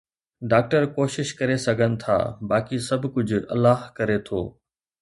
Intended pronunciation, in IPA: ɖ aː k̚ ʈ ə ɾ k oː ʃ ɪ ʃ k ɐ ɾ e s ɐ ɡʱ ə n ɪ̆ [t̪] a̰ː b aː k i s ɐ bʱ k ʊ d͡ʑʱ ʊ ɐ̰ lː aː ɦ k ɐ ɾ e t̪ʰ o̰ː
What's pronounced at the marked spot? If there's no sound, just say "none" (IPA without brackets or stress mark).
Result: t̪ʰ